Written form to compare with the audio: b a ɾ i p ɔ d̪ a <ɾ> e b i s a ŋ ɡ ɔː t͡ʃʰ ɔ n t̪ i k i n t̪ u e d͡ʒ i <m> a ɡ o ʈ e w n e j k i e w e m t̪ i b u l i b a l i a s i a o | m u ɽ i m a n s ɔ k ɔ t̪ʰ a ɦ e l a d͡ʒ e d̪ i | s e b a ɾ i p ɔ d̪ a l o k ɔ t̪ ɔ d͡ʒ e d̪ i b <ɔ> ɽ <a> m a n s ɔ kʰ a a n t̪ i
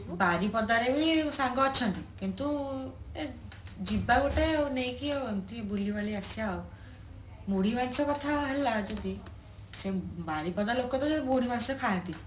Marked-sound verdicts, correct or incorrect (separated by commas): correct, incorrect, incorrect, incorrect